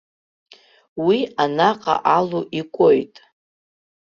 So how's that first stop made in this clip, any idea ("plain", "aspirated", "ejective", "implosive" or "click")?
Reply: ejective